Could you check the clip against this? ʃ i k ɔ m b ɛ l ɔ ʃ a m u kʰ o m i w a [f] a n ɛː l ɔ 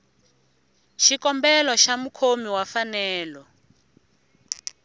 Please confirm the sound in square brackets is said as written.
yes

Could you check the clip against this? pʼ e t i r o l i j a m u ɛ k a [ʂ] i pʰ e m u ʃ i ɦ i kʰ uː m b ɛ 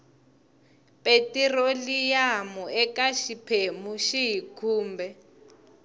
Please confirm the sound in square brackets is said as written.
no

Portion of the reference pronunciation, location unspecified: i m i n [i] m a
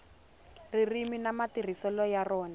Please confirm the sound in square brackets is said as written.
no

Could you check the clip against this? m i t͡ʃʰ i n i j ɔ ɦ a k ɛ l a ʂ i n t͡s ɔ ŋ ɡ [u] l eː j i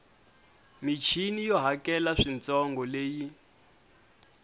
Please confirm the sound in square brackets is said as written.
no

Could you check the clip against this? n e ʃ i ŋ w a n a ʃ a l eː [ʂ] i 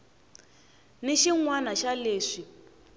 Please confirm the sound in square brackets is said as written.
yes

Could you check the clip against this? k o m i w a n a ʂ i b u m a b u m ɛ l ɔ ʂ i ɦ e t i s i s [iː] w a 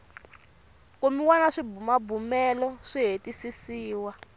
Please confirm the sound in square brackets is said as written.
yes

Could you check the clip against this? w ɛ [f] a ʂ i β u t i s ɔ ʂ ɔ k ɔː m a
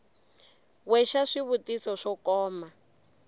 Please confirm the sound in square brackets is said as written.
no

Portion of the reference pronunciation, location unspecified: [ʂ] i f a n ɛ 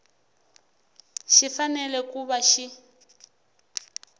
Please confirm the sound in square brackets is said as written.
no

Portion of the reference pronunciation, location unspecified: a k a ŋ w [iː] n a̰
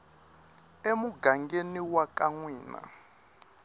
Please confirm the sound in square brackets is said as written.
yes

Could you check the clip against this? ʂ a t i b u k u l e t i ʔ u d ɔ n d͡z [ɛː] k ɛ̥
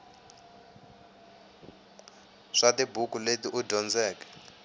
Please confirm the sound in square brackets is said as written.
yes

